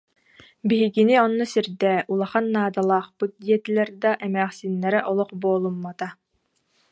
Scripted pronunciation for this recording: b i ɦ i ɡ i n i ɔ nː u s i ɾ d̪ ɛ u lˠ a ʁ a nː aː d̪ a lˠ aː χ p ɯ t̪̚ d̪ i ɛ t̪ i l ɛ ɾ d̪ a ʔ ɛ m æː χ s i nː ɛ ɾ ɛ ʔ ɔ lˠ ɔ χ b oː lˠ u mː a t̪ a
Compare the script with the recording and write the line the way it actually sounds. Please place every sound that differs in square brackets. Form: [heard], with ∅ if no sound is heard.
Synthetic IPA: b i ɦ i ɡ i n i ɔ nː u s i ɾ d̪ ɛ u lˠ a [χ] a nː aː d̪ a lˠ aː χ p ɯ t̪̚ d̪ i ɛ t̪ i l ɛ ɾ d̪ a ʔ ɛ m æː χ s i nː ɛ ɾ ɛ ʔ ɔ lˠ ɔ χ b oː lˠ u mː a t̪ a